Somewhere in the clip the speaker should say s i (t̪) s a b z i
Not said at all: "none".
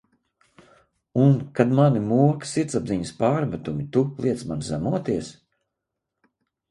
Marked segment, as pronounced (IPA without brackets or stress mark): t̪